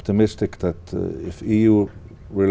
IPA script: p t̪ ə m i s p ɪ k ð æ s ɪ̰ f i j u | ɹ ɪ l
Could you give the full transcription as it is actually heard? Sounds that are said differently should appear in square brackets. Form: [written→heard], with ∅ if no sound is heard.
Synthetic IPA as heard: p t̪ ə m [i→ɪ] s [p→t] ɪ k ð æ [s→t] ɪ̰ f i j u | ɹ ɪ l